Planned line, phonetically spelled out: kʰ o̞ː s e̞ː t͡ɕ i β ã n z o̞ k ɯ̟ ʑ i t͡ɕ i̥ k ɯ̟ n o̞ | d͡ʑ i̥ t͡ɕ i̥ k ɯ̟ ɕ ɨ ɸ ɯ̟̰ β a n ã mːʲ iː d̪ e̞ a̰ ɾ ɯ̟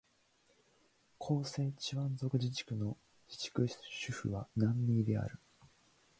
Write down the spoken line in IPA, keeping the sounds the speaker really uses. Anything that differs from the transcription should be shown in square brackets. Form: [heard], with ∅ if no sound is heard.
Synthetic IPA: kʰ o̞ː s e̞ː t͡ɕ i β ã n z o̞ k ɯ̟ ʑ i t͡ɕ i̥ k ɯ̟ n o̞ | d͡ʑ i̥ t͡ɕ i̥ k ɯ̟ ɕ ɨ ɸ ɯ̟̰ β a n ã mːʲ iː d̪ e̞ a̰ ɾ ɯ̟